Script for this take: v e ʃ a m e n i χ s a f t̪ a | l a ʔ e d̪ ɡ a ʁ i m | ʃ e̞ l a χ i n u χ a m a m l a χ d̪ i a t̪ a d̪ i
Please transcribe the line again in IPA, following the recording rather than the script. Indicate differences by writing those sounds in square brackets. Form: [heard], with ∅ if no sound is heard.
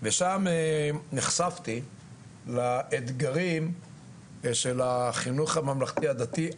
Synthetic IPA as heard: v e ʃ a m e n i χ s a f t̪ [i] | l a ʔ e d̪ ɡ a ʁ i m | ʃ e̞ l a χ i n u χ a m a m l a χ [t̪] i a [d̪] a [t̪] i